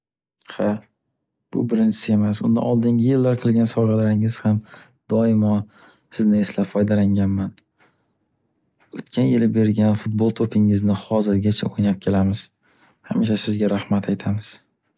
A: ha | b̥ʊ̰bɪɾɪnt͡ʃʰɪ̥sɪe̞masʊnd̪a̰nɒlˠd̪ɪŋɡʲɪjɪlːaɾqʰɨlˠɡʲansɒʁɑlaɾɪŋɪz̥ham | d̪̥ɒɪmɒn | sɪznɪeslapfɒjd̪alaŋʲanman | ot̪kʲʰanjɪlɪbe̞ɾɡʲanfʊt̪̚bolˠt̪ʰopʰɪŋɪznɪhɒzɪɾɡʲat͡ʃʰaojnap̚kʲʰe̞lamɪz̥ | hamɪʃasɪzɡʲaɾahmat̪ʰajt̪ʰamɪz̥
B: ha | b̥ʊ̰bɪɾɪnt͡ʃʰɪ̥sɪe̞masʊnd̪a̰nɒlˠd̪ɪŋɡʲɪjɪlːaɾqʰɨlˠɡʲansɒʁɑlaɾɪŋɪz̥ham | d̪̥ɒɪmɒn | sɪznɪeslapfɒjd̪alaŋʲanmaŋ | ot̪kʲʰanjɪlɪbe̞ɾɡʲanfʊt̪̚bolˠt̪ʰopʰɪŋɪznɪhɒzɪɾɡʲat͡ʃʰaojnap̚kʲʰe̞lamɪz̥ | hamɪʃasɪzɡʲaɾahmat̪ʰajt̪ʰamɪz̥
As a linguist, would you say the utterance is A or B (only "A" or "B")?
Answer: A